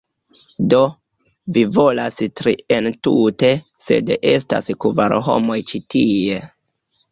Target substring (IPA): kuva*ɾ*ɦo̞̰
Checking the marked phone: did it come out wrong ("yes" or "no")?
no